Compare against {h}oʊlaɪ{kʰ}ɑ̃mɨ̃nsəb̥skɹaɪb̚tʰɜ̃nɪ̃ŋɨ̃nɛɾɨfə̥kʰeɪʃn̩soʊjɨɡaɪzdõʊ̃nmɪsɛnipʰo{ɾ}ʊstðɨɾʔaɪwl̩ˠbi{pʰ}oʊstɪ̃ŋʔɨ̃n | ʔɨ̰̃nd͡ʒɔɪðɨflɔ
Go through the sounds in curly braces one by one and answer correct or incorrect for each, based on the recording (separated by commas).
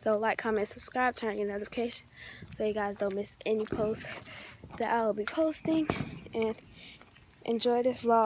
incorrect, correct, incorrect, correct